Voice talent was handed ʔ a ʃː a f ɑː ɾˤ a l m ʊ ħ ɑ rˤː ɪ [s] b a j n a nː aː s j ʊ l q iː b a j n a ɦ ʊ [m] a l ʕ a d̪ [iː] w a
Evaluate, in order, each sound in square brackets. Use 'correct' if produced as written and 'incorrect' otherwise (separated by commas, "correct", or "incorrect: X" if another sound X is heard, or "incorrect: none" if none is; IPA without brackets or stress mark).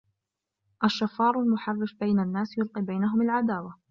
incorrect: f, correct, incorrect: aː